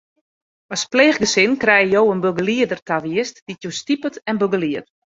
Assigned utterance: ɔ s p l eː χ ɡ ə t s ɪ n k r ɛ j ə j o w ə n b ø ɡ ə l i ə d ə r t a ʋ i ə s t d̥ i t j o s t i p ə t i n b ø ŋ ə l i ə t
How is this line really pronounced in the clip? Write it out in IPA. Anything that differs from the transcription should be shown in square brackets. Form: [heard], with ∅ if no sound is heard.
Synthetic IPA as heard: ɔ s p l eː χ ɡ ə [∅] s ɪ n k r ɛ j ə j o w ə n b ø ɡ ə l i ə d ə r t a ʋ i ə s t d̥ i t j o s t i p ə t [ɛ] n b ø [ɡ] ə l i ə t